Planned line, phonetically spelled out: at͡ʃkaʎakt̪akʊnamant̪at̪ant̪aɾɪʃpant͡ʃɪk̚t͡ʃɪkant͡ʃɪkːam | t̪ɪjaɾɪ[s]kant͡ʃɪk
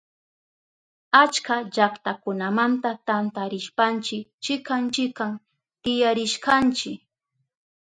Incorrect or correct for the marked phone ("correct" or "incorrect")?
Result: incorrect